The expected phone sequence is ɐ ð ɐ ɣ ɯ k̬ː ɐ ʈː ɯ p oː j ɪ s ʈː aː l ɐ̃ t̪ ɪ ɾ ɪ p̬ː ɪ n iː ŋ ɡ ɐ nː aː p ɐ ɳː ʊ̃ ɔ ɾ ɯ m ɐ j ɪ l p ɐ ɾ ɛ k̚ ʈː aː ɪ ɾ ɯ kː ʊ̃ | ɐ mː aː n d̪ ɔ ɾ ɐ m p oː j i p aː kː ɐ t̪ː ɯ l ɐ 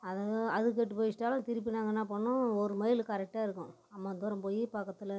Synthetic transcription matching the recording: ɐ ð ɐ ð ɯ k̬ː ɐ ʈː ɯ p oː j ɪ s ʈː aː l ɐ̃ t̪ ɪ ɾ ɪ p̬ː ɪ n aː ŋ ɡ ɐ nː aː p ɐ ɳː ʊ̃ ɔ ɾ ɯ m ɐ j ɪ l k ɐ ɾ ɛ k̚ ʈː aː ɪ ɾ ɯ kː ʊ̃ | ɐ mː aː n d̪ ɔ ɾ ɐ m p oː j i p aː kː ɐ t̪ː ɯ l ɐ